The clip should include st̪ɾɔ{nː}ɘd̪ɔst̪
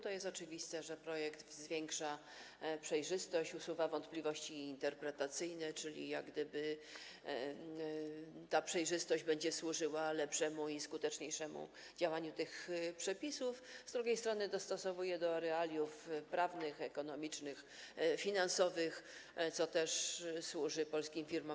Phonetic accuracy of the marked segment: incorrect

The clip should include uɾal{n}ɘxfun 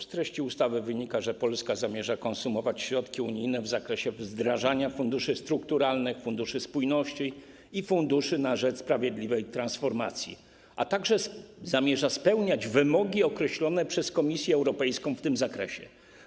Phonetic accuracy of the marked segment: correct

